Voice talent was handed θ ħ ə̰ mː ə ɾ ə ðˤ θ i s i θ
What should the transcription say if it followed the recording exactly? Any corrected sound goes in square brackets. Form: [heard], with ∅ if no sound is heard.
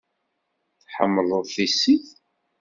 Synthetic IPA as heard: θ ħ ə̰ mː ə [l] ə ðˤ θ i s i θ